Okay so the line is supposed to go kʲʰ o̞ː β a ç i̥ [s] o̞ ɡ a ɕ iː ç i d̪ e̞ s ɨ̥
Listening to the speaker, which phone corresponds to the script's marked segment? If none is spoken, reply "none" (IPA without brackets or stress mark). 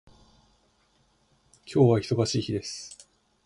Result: s